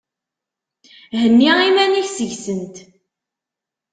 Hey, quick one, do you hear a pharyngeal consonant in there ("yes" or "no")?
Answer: no